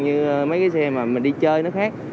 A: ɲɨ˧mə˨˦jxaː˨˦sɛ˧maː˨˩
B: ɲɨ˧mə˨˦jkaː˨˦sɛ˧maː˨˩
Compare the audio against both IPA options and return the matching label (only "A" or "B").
B